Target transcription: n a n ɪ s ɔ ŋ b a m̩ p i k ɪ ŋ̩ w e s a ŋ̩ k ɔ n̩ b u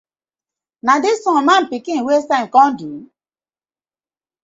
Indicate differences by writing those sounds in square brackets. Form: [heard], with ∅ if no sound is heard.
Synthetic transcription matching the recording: n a [d] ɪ s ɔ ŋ [m] a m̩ p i k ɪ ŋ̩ w e s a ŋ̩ k ɔ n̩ [d] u